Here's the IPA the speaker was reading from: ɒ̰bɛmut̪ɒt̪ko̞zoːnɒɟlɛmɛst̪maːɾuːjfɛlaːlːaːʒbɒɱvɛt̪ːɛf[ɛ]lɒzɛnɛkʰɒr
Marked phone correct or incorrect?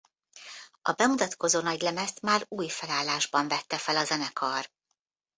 correct